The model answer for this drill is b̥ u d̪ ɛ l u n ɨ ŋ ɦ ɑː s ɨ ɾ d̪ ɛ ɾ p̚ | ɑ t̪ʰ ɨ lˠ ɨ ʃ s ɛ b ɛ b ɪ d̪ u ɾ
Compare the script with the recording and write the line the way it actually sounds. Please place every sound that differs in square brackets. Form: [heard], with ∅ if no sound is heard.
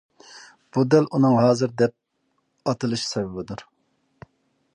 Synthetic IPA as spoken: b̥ u d̪ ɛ l u n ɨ ŋ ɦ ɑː [z] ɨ ɾ d̪ ɛ [∅] p̚ | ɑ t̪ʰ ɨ lˠ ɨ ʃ s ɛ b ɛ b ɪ d̪ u ɾ